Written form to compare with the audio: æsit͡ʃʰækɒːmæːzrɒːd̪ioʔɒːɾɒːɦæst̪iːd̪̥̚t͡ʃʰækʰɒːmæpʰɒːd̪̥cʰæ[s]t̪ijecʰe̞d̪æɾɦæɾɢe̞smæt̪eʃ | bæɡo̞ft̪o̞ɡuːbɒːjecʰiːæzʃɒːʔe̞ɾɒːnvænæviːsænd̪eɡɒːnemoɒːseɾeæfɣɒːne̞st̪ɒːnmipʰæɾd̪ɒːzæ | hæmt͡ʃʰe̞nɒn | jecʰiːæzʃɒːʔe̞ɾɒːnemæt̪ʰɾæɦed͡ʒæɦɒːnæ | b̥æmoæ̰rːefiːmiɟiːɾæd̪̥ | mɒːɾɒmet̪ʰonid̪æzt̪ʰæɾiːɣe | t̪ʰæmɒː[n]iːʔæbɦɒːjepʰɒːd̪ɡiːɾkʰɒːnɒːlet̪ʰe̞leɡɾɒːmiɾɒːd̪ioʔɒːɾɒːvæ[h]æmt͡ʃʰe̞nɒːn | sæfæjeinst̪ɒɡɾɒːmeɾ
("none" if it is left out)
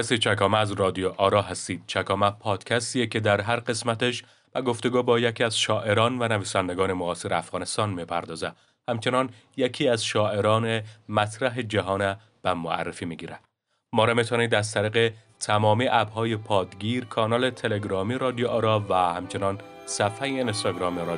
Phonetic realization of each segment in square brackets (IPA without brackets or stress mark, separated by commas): s, m, h